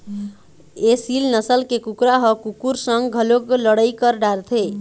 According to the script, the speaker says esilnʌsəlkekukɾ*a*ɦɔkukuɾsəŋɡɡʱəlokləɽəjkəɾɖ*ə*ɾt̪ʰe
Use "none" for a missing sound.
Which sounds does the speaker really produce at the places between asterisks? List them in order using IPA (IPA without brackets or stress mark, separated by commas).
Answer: a, a